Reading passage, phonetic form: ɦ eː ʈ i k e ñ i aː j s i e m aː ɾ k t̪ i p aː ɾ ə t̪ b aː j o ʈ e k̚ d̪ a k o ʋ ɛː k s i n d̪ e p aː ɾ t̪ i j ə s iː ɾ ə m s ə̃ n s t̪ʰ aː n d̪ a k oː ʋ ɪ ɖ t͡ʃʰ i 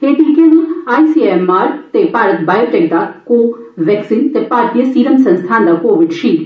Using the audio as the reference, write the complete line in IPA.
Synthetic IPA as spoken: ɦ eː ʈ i k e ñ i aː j s i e m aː ɾ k t̪ e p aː ɾ ə t̪ b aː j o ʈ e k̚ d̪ a k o ʋ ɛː k s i n t̪ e p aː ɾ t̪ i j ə s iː ɾ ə m s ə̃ n s t̪ʰ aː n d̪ a k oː ʋ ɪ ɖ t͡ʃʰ i